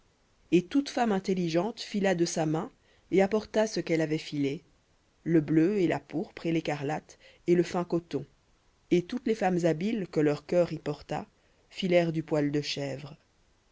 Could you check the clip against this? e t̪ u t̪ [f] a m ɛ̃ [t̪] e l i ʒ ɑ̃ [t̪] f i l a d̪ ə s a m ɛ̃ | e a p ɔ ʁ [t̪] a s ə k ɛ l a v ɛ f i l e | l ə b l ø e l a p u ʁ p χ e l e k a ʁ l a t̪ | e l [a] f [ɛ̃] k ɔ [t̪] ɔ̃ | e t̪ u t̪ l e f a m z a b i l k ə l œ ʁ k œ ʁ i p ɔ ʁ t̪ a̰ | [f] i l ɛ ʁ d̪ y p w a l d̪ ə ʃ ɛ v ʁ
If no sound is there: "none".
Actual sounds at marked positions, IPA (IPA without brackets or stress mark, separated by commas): f, t̪, t̪, t̪, ə, ɛ̃, t̪, f